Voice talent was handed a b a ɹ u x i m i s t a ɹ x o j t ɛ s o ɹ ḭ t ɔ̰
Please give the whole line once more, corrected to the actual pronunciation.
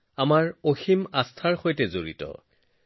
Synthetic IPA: a m a ɹ o x i m a s tʰ a ɹ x o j t ɛ z o ɹ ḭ t ɔ̰